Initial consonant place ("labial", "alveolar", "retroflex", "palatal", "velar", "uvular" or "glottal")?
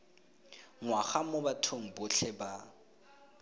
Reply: velar